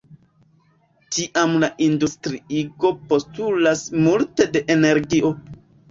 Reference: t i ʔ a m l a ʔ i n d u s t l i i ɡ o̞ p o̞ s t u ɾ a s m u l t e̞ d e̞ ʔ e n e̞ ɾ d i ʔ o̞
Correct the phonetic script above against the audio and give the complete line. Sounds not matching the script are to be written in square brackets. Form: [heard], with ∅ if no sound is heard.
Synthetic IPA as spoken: t i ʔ a m l a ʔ i n d u s t [ɾ] i i ɡ o̞ p o̞ s t u [l] a s m u l t e̞ d e̞ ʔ e n e̞ ɾ [ɡ] i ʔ o̞

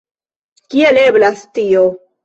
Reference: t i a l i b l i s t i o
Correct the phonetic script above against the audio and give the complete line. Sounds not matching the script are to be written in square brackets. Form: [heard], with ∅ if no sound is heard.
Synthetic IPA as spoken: [k] i [e] l [e] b l [a] s t i o

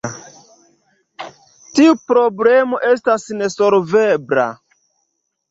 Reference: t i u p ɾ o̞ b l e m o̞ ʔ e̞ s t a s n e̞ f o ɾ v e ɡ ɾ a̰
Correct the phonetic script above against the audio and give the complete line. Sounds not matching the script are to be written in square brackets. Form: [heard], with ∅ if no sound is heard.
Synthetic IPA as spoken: t i u p ɾ o̞ b l e m o̞ ʔ e̞ s t a s n e̞ [s] o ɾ v e [b] ɾ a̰

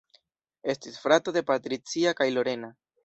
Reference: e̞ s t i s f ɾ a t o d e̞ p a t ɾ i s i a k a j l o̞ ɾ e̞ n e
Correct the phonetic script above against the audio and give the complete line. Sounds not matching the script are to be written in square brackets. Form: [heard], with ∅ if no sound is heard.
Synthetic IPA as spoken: e̞ s t i s f ɾ a t o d e̞ p a t ɾ i [t͡s] i a k a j l o̞ ɾ e̞ n [a]

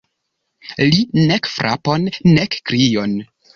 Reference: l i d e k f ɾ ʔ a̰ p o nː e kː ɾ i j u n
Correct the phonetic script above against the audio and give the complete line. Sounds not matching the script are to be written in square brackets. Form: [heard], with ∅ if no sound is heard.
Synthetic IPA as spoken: l i [n] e k f ɾ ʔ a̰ p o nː e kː ɾ i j [o] n

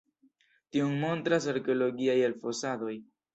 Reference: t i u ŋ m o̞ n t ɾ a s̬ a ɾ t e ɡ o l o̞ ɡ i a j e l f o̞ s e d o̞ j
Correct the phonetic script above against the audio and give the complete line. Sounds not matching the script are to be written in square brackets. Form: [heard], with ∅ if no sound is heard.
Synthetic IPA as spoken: t i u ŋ m o̞ n t ɾ a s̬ a ɾ [k] e [∅] o l o̞ ɡ i a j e l f o̞ s [a] d o̞ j

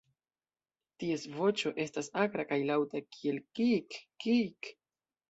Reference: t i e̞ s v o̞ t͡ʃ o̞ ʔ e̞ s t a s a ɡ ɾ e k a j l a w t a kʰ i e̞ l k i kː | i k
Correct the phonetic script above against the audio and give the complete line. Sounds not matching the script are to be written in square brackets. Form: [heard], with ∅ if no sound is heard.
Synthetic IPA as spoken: t i e̞ s v o̞ t͡ʃ o̞ ʔ e̞ s t a s a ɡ ɾ [a] k a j l a w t a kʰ i e̞ l k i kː | i k

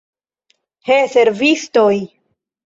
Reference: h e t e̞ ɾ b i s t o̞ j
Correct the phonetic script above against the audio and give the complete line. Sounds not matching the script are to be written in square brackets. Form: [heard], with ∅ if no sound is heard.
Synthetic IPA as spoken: h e [s] e̞ ɾ [v] i s t o̞ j

